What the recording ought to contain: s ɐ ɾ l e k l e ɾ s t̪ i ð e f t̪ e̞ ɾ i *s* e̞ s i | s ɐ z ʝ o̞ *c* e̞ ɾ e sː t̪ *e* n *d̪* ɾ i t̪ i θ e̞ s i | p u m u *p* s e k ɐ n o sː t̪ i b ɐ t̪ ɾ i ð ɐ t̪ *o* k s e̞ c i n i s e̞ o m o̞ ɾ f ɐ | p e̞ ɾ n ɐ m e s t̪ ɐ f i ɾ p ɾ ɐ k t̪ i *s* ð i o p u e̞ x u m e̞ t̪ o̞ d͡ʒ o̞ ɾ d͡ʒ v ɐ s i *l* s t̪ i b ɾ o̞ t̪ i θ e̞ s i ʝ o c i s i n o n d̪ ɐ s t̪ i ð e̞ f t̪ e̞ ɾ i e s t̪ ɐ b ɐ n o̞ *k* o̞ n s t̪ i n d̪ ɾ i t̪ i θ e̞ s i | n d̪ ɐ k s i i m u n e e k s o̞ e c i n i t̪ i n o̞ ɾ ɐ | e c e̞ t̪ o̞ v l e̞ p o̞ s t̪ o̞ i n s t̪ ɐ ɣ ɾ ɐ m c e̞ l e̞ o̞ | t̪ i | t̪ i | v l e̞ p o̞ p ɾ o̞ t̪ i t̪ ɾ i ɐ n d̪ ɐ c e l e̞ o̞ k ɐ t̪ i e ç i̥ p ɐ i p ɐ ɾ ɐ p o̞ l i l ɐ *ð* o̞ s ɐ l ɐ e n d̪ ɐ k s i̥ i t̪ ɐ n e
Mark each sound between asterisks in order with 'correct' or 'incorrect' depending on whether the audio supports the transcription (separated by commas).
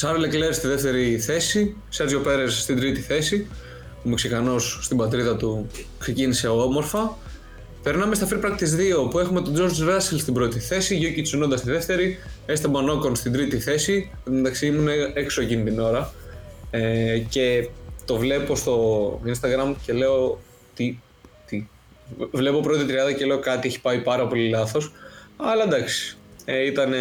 incorrect, incorrect, incorrect, correct, incorrect, incorrect, incorrect, correct, correct, incorrect